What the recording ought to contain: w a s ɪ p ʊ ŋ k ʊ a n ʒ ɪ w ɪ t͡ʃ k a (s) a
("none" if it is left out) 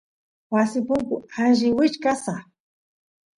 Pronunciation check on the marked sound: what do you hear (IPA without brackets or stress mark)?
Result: s